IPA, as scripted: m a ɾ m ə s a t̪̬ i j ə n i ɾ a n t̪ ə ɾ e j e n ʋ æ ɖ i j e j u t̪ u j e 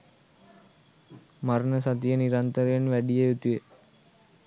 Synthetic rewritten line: m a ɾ n ə s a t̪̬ i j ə n i ɾ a n t̪ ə ɾ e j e n ʋ æ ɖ i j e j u t̪ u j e

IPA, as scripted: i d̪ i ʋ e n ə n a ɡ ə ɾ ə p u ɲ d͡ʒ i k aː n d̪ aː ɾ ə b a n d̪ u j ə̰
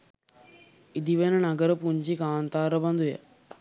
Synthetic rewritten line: i d̪ i ʋ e n ə n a ɡ ə ɾ ə p u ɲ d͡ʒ i k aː n t̪ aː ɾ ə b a n d̪ u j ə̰

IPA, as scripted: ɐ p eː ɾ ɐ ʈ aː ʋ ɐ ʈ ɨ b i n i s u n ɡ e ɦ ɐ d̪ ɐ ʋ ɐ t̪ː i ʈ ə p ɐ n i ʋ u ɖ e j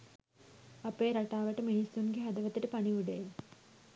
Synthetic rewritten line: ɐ p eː ɾ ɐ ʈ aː ʋ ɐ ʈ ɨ m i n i s u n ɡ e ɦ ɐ d̪ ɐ ʋ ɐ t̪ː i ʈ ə p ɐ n i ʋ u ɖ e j

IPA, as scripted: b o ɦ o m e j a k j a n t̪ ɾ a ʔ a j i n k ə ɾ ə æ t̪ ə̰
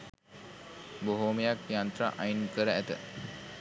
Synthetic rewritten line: b o ɦ o m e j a k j a n t̪ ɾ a ʔ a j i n k ə ɾ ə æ t̪ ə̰

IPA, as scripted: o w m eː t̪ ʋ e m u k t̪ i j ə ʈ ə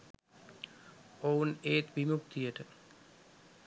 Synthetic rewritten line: o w n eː t̪ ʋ i m u k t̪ i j ə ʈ ə

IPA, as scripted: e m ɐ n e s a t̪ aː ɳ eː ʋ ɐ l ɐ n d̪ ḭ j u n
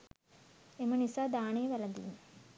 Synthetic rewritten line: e m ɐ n i s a d̪ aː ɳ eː ʋ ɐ l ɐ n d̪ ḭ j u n

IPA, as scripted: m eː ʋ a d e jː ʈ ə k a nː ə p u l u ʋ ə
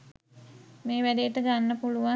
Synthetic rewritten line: m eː ʋ æ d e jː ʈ ə ɡ a nː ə p u l u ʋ a

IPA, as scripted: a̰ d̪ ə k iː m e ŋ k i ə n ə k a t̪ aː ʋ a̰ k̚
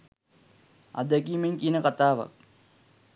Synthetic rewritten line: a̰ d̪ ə k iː m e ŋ k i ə n ə k a t̪ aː ʋ a̰ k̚

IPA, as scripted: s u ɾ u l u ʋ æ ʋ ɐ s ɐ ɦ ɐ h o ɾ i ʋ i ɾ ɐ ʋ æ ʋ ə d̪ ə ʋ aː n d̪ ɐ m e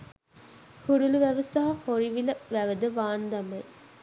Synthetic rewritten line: h u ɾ u l u ʋ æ ʋ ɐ s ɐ ɦ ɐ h o ɾ i ʋ i l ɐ ʋ æ ʋ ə d̪ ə ʋ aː n d̪ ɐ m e

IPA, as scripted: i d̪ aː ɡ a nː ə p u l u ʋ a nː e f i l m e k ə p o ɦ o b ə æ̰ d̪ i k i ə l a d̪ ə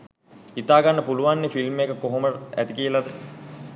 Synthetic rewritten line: i t̪ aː ɡ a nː ə p u l u ʋ a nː e f i l m e k ə k o ɦ o m ə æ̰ t̪ i k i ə l a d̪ ə

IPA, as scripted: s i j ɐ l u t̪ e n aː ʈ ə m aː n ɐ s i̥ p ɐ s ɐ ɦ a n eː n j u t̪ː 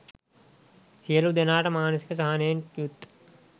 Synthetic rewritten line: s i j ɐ l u d̪ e n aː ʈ ɐ m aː n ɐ s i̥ k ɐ s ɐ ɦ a n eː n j u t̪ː

